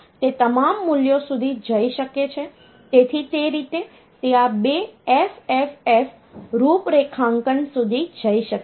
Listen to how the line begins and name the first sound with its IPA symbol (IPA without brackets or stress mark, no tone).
t̪